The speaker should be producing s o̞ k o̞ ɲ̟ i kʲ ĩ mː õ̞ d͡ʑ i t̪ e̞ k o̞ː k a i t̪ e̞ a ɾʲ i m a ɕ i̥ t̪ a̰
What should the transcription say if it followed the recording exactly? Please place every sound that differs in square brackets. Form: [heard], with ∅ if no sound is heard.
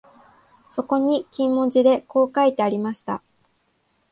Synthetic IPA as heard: s o̞ k o̞ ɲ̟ i kʲ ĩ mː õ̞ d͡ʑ i [d̪] e̞ k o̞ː k a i t̪ e̞ a ɾʲ i m a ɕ i̥ t̪ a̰

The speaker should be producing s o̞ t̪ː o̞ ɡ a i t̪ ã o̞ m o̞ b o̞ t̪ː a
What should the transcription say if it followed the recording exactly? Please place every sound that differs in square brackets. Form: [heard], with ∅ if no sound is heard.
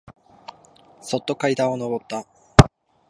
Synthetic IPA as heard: s o̞ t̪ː o̞ [k] a i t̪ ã o̞ [n] o̞ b o̞ t̪ː a

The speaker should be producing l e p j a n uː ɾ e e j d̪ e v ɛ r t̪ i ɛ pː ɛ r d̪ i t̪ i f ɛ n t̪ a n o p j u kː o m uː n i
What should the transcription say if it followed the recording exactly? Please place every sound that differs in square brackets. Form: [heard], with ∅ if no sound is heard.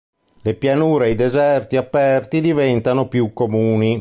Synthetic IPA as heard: l e p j a n uː ɾ e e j d̪ e [z] ɛ r t̪ i [a] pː ɛ r [t̪] i [d̪] i [v] ɛ n t̪ a n o p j u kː o m uː n i

